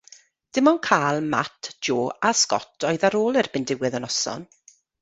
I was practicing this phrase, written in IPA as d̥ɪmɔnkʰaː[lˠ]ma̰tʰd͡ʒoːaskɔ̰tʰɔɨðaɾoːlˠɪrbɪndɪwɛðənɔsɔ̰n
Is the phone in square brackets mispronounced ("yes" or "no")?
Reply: no